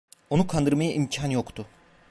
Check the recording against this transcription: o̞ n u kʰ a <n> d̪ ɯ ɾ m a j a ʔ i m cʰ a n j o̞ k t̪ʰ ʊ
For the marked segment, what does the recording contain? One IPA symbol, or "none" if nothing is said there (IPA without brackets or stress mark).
n